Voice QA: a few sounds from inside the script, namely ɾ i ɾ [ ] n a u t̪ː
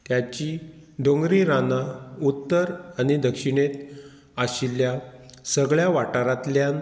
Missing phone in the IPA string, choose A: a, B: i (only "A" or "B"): A